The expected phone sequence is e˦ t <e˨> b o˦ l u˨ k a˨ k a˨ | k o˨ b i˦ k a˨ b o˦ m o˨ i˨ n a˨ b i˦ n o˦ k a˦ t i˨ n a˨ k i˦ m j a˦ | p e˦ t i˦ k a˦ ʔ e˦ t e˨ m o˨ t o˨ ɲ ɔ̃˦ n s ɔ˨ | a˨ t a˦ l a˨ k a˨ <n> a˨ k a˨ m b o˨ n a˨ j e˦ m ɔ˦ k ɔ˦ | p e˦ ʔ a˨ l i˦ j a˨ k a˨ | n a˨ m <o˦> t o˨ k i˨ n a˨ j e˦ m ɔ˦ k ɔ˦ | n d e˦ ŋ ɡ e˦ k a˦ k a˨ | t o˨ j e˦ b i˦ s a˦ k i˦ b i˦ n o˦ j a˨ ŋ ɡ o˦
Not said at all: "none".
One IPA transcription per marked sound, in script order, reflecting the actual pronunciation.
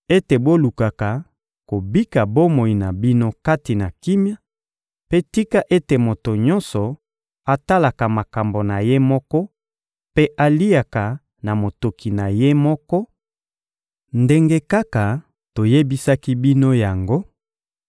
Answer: e˨, m, o˨

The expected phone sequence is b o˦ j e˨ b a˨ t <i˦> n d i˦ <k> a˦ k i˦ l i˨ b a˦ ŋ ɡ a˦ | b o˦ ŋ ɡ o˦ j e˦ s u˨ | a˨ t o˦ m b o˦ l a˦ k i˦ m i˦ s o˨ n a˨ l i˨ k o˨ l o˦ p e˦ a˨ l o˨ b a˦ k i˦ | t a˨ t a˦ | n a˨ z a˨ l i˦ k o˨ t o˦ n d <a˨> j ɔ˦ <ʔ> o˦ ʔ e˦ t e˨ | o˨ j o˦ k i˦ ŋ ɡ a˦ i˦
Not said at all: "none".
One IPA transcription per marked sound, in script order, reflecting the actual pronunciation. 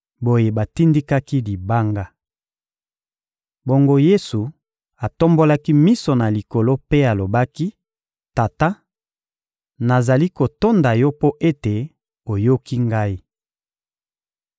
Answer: i˦, k, a˨, p

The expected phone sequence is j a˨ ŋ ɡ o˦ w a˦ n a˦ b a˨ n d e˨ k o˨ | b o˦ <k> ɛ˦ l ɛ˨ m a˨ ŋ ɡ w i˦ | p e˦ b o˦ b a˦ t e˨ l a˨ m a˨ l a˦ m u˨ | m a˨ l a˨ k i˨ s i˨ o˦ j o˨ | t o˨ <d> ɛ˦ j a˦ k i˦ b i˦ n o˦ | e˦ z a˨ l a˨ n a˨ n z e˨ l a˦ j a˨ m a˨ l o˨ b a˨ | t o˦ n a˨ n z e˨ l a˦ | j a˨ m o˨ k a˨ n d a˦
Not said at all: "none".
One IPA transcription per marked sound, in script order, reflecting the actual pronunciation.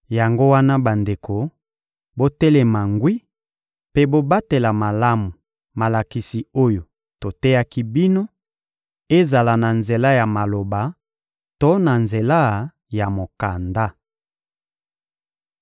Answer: t, t

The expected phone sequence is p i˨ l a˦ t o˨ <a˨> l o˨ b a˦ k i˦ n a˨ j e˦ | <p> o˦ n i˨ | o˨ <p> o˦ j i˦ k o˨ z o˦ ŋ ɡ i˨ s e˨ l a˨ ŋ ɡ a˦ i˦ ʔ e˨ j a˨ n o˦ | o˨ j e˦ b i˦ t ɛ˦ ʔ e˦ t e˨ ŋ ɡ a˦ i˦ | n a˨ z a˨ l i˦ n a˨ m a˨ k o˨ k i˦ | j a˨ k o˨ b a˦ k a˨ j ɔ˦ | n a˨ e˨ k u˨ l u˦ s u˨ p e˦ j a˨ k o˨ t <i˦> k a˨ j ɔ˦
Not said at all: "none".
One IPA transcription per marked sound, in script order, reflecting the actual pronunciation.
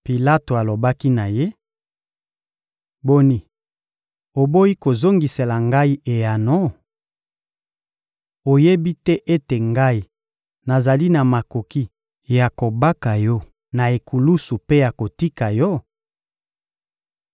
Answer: a˨, b, b, i˦

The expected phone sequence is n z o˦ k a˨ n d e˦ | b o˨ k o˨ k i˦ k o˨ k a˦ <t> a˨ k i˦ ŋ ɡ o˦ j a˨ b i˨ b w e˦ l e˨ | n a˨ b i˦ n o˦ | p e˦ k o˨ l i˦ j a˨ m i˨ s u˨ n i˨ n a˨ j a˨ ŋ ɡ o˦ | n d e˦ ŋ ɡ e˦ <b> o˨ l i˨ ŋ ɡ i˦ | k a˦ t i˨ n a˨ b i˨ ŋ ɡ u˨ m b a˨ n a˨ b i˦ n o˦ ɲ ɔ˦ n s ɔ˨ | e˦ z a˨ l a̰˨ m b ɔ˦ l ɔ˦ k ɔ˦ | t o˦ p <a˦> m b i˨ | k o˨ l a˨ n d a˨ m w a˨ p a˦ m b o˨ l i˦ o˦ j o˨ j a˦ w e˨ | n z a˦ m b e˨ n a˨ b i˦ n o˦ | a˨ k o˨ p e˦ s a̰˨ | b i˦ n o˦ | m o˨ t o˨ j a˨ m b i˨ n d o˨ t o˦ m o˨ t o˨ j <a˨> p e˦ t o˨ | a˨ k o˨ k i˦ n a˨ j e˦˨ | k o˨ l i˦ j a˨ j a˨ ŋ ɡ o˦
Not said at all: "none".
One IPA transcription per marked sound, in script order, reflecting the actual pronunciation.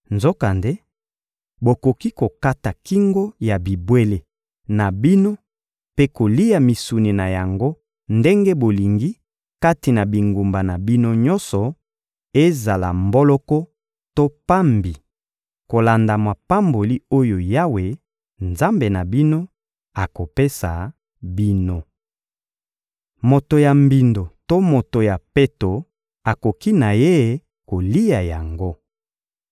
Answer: t, b, a˦, a˨

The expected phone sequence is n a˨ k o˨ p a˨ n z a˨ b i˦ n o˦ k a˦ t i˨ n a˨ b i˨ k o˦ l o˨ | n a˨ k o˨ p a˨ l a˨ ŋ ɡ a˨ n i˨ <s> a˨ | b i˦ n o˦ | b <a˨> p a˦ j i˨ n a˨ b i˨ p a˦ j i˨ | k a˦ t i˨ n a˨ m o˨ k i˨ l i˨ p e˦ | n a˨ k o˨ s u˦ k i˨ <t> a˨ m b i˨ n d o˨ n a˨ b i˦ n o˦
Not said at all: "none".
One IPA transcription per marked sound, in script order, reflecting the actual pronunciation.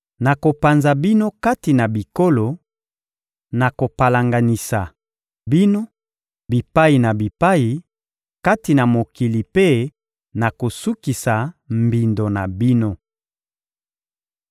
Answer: s, i˨, s

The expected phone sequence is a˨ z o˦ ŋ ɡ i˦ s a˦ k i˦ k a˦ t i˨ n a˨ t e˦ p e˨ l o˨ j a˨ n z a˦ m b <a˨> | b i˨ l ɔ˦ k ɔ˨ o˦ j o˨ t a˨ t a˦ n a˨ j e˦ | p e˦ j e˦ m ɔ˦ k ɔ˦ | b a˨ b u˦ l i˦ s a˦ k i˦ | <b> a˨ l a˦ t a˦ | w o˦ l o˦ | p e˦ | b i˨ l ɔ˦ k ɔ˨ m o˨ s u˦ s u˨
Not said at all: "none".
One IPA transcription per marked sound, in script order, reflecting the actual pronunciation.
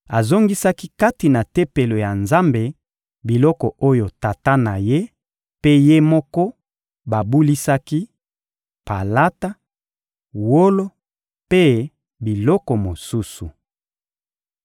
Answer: e˨, p

